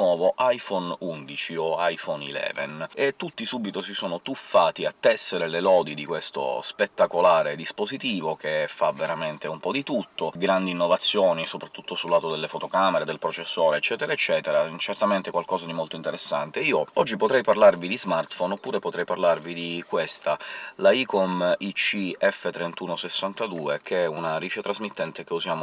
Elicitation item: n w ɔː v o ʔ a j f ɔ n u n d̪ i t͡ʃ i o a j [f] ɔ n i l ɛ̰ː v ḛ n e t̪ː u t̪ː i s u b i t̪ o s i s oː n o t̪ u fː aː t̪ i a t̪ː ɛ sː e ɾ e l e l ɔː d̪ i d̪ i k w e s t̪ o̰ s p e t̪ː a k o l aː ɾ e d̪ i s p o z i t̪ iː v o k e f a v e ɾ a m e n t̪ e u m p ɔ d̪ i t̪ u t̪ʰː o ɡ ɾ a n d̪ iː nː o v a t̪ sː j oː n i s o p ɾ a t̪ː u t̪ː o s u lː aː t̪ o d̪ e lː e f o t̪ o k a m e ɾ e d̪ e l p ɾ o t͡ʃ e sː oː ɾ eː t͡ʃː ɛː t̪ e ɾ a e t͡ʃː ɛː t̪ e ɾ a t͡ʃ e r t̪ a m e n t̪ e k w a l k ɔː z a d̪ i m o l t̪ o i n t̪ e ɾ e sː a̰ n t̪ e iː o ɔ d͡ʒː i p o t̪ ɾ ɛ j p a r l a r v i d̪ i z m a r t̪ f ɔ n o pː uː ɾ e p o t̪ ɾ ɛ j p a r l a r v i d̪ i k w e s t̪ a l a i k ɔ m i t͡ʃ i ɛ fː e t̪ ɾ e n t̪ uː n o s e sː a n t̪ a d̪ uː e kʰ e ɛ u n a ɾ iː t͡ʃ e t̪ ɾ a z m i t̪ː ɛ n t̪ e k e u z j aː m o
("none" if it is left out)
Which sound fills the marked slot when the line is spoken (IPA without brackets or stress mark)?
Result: f